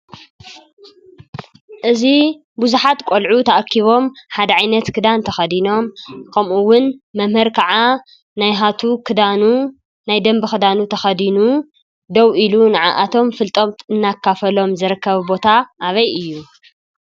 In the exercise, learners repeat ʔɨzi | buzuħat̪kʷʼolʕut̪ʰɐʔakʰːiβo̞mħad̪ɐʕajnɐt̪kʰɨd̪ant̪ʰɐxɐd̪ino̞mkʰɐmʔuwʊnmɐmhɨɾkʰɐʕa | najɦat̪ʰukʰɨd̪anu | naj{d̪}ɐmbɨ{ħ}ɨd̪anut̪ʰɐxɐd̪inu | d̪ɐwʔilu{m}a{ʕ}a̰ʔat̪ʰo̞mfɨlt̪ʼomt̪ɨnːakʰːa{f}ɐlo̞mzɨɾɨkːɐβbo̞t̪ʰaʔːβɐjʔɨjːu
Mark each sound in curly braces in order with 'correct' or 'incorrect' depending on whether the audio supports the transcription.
correct, incorrect: x, incorrect: n, correct, correct

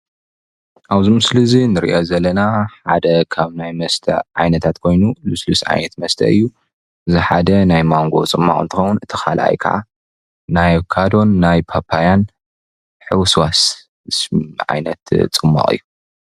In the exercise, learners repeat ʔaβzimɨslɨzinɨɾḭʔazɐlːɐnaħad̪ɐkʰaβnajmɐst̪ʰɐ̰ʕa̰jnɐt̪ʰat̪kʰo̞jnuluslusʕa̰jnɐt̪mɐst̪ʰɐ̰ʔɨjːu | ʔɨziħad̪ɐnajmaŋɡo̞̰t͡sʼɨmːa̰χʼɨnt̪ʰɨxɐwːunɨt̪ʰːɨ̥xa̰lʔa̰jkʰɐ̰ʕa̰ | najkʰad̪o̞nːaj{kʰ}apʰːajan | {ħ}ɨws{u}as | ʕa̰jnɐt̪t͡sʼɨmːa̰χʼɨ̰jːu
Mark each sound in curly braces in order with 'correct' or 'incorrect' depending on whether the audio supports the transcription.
incorrect: pʰ, correct, incorrect: w

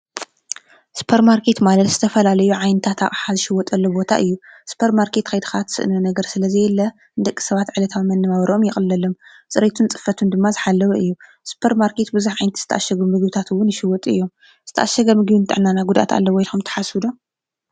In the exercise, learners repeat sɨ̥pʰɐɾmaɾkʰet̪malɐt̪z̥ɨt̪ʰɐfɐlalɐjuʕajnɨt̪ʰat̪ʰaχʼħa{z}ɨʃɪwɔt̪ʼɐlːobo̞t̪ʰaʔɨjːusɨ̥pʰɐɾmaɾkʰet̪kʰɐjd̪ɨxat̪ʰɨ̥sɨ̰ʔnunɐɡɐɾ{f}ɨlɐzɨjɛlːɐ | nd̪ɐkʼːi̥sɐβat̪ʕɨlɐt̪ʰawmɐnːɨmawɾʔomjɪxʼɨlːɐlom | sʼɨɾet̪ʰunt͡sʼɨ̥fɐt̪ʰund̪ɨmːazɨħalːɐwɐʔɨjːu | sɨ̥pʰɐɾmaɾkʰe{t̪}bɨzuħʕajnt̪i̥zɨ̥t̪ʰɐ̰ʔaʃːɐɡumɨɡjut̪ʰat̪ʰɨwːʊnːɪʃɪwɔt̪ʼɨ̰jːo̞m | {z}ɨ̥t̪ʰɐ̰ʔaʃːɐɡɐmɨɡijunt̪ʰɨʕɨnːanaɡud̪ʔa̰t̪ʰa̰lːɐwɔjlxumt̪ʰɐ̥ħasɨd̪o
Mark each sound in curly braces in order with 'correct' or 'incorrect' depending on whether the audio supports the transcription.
correct, incorrect: s, correct, correct

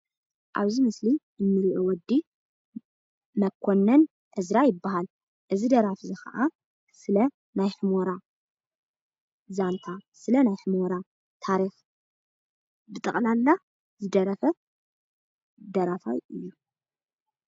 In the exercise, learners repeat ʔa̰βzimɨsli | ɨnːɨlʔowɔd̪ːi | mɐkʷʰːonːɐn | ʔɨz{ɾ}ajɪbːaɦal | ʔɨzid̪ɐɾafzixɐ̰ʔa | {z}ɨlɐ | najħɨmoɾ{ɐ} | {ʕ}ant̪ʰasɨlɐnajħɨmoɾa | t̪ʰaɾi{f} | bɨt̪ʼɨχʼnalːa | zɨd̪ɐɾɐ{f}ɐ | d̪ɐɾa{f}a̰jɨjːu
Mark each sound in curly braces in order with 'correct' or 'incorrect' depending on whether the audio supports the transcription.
correct, incorrect: s, incorrect: a, incorrect: z, incorrect: x, correct, correct

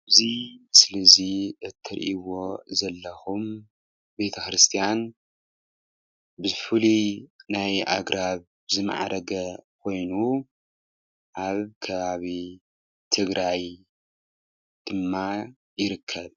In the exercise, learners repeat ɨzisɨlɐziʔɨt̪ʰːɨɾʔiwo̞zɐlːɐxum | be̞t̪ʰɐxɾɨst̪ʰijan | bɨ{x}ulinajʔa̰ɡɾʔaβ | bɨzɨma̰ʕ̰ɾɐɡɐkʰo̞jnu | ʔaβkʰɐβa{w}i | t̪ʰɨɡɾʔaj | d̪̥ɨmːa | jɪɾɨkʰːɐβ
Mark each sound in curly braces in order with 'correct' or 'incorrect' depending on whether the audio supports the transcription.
incorrect: f, incorrect: β

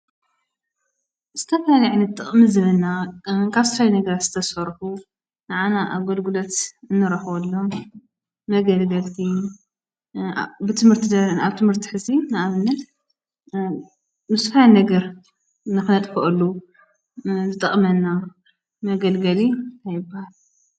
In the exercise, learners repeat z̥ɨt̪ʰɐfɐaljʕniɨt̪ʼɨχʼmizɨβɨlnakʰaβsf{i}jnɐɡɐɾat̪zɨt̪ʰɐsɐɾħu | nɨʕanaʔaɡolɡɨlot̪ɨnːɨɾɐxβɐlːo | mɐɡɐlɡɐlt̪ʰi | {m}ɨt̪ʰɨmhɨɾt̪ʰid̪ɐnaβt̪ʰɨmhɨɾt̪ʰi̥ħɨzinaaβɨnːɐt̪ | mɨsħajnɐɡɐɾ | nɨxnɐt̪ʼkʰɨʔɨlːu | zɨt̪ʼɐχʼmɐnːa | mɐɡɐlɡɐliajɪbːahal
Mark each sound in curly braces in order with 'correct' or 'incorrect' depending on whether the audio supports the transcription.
incorrect: a, incorrect: b

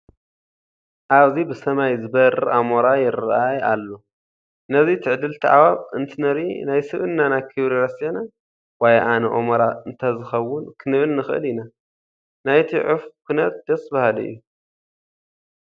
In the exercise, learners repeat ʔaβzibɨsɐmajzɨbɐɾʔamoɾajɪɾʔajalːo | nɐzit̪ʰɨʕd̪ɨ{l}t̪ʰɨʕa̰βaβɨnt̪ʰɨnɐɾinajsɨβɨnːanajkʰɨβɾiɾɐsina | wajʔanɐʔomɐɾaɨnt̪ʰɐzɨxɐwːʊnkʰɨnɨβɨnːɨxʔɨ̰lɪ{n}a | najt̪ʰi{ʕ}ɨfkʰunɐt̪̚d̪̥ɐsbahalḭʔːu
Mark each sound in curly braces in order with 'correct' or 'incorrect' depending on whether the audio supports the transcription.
correct, correct, correct

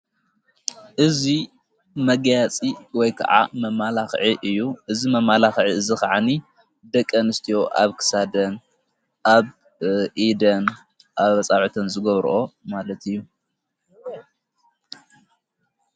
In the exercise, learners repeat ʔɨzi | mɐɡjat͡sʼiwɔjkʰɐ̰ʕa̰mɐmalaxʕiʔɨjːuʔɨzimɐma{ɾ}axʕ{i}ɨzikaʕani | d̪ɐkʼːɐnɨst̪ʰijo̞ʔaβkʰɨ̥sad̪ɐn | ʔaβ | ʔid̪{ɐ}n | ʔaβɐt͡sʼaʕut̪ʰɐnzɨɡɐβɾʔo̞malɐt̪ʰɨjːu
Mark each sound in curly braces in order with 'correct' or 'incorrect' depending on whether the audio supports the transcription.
incorrect: l, correct, correct

